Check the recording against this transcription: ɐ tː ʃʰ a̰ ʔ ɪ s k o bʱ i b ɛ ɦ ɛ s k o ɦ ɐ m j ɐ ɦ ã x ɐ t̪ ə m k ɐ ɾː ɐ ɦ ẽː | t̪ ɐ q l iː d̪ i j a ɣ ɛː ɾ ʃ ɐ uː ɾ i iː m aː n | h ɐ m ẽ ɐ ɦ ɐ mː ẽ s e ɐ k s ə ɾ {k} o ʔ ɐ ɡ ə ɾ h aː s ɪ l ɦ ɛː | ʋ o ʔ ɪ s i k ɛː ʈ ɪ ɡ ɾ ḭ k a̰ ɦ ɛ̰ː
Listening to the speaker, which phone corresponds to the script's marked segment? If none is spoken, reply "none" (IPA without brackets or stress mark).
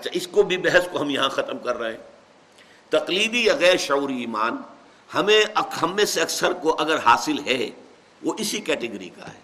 k